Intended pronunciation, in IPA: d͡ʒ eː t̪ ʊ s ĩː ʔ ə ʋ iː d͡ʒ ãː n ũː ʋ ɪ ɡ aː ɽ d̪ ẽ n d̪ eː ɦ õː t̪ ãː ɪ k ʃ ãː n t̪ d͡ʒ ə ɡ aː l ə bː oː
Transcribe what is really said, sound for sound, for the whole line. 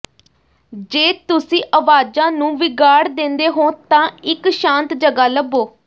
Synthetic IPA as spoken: d͡ʒ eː t̪ ʊ s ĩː ʔ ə ʋ aː d͡ʒ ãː n ũː ʋ ɪ ɡ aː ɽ d̪ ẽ n d̪ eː ɦ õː t̪ ãː ɪ k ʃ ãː n t̪ d͡ʒ ə ɡ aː l ə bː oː